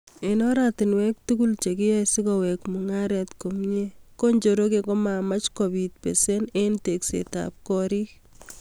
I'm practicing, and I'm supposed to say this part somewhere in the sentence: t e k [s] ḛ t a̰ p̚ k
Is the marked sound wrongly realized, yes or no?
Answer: no